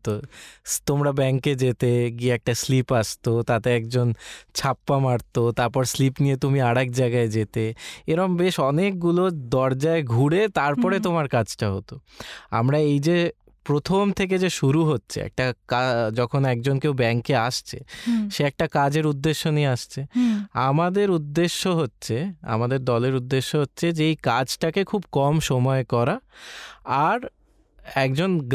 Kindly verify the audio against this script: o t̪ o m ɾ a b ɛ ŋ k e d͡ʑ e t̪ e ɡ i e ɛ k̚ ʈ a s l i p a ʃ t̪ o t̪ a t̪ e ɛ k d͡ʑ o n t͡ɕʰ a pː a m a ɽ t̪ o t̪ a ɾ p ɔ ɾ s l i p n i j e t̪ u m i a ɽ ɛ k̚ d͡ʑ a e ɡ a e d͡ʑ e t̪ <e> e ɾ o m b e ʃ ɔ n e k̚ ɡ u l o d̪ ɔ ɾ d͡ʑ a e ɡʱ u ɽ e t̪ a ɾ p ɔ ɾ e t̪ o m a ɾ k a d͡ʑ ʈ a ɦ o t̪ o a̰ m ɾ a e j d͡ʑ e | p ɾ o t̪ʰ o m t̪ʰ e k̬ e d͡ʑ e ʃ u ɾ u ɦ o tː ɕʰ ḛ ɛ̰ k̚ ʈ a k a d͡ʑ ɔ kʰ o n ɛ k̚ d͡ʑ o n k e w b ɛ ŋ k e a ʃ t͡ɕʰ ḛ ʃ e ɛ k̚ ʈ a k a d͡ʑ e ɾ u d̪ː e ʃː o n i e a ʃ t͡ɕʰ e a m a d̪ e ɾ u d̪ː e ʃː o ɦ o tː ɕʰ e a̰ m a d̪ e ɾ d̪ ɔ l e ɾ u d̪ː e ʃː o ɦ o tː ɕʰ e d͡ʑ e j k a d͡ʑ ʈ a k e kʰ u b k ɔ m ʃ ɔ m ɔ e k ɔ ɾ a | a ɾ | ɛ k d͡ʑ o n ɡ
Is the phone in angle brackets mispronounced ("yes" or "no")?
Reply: no